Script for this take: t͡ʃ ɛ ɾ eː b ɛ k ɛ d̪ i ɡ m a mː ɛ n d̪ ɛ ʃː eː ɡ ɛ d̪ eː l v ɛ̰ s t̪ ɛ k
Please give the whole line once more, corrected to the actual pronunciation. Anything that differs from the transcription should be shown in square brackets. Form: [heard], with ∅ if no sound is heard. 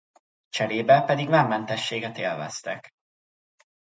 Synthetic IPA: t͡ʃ ɛ ɾ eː b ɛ [p] ɛ d̪ i ɡ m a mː ɛ n [t̪] ɛ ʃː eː ɡ ɛ [t̪] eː l v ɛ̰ s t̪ ɛ k